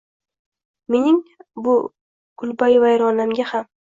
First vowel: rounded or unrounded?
unrounded